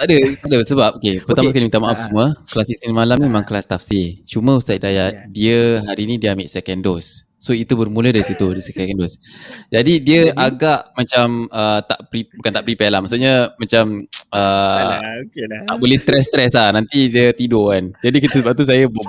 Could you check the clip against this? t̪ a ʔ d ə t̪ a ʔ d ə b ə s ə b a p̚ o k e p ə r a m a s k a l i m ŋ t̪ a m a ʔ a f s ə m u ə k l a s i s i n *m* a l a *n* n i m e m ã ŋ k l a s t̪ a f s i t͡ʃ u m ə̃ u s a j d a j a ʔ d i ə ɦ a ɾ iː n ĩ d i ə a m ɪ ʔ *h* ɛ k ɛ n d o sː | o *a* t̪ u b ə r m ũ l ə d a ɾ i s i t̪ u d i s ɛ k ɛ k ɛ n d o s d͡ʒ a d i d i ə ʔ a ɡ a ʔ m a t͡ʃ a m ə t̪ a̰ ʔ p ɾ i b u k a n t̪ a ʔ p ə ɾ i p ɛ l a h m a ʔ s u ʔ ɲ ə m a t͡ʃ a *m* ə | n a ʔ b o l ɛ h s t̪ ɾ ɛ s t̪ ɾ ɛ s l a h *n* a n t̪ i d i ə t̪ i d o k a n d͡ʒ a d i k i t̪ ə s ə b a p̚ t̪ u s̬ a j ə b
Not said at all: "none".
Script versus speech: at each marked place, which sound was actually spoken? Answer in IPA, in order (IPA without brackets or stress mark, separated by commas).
m, m, s, i, m, n